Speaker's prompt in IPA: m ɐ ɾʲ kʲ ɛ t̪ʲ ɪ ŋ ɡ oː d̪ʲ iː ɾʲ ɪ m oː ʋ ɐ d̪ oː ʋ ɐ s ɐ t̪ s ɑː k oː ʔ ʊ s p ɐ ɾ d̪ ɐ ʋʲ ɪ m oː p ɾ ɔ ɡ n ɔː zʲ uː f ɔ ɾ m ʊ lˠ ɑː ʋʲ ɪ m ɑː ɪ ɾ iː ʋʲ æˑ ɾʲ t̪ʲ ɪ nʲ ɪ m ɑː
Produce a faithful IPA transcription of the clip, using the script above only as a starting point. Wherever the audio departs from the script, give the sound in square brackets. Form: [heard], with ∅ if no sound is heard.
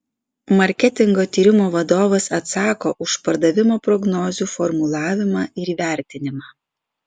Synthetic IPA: m ɐ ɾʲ kʲ ɛ t̪ʲ ɪ ŋ ɡ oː [t̪ʲ] iː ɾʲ ɪ m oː ʋ ɐ d̪ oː ʋ ɐ s ɐ t̪ s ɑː k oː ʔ ʊ [ʃ] p ɐ ɾ d̪ ɐ ʋʲ ɪ m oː p ɾ ɔ ɡ n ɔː zʲ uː f ɔ ɾ m ʊ lˠ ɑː ʋʲ ɪ m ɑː ɪ ɾ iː ʋʲ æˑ ɾʲ t̪ʲ ɪ nʲ ɪ m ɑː